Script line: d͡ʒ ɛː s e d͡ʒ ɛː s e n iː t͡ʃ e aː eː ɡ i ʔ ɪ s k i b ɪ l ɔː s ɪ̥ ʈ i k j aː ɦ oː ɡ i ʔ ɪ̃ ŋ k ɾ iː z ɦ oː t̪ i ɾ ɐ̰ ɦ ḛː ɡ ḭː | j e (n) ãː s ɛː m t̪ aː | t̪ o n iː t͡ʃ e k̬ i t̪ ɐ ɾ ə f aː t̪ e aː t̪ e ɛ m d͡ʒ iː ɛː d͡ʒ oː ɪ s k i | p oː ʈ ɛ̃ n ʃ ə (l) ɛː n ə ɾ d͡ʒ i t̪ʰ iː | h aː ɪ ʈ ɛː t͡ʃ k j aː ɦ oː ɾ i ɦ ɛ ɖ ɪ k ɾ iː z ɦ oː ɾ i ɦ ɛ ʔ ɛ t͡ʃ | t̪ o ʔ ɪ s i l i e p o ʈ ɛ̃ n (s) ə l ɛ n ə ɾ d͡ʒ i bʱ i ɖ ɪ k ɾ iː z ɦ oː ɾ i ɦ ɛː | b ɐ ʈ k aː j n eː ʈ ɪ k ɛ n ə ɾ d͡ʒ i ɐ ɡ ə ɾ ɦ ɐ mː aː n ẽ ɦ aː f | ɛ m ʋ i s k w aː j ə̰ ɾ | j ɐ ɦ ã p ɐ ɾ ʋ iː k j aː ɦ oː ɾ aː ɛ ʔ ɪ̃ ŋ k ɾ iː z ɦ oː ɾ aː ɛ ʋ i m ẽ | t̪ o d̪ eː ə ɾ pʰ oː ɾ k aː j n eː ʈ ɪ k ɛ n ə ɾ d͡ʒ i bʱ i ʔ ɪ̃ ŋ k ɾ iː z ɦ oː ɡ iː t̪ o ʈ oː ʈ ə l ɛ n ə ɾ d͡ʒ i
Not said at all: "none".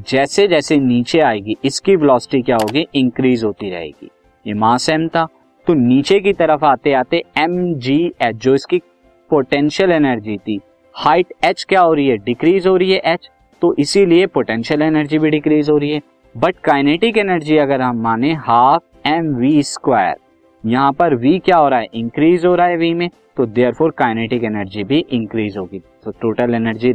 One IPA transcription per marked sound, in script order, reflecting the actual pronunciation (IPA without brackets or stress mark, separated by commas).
m, l, ʃ